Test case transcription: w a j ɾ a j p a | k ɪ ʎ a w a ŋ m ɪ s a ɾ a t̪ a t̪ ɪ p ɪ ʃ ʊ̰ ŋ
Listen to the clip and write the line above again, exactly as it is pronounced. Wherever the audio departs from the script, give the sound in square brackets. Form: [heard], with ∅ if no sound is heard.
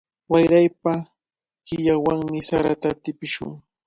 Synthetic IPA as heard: w a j ɾ a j p a | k ɪ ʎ a w a ŋ m ɪ s a ɾ a t̪ a t̪ ɪ p ɪ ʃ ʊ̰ ŋ